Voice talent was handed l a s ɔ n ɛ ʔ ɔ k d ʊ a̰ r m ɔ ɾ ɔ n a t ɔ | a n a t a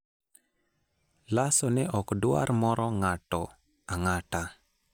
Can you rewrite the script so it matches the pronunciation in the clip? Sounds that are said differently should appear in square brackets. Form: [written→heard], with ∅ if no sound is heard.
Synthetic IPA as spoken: l a s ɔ n ɛ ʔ ɔ k d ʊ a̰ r m ɔ ɾ ɔ [n→ŋ] a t ɔ | a [n→ŋ] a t a